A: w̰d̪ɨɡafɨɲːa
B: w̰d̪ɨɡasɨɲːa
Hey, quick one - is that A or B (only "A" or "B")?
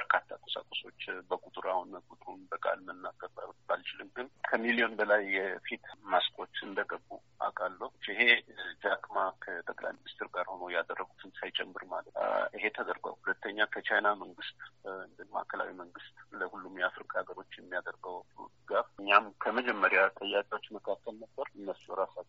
A